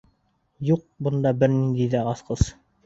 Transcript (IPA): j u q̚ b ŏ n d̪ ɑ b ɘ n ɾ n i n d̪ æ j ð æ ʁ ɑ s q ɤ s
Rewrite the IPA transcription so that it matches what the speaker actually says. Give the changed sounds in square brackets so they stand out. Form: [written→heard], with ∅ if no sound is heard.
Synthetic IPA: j u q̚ b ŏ n d̪ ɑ b ɘ [n→∅] ɾ n i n d̪ [æ→i] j ð æ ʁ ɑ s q ɤ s